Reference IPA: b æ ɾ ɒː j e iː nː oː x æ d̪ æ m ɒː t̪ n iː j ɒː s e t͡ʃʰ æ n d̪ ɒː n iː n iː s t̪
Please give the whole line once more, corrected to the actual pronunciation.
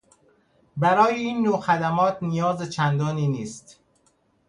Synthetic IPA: b æ ɾ ɒː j e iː nː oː x æ d̪ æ m ɒː t̪ n i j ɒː z e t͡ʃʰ æ n d̪ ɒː n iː n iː s t̪